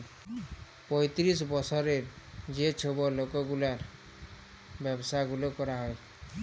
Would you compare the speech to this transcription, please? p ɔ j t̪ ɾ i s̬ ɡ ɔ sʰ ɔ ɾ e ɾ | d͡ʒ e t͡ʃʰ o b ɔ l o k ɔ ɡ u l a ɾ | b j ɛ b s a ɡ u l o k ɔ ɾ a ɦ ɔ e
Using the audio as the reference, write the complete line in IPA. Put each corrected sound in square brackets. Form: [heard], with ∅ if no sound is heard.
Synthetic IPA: p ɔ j t̪ ɾ i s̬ [b] ɔ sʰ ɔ ɾ e ɾ | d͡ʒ e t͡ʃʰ o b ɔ l o k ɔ ɡ u l a ɾ | b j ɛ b s a ɡ u l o k ɔ ɾ a ɦ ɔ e